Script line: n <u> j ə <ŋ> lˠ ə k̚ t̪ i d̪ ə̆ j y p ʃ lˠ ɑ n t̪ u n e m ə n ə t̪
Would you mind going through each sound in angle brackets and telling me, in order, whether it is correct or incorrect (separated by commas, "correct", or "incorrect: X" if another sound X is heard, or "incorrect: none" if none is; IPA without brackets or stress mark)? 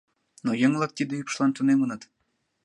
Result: incorrect: o, correct